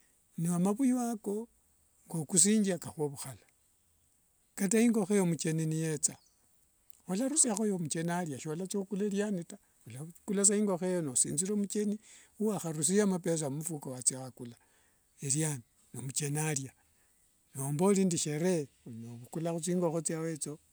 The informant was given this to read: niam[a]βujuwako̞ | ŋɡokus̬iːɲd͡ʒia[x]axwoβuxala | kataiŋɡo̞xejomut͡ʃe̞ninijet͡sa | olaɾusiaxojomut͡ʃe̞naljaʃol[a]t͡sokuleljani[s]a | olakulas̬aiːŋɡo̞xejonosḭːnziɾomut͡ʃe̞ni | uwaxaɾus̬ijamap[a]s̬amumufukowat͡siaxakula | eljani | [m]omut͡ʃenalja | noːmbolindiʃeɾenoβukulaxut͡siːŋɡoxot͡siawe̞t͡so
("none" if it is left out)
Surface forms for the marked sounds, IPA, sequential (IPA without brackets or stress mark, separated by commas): a, k, a, t, e, n